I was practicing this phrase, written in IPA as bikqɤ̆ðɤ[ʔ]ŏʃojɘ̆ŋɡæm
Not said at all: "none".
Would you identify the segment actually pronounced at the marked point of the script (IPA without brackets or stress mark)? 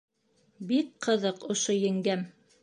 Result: q